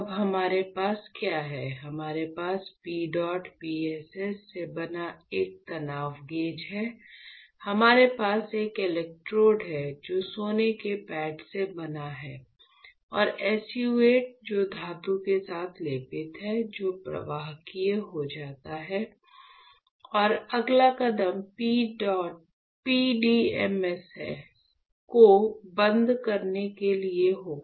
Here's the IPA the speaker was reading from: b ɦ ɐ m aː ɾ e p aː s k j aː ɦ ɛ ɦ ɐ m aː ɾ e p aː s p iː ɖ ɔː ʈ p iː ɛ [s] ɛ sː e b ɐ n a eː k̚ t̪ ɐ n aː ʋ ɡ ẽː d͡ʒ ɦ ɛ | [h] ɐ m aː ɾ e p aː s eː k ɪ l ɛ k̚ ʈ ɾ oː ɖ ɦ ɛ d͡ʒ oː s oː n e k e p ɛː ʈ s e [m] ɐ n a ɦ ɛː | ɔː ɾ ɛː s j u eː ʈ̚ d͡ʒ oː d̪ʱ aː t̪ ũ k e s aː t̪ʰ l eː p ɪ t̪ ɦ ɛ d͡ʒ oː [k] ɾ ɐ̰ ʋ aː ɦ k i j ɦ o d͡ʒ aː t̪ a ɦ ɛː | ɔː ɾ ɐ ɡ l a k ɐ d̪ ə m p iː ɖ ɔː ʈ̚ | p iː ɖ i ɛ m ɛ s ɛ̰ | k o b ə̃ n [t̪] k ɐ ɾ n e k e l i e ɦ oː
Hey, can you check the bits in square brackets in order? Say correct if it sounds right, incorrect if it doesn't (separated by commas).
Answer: correct, correct, incorrect, incorrect, incorrect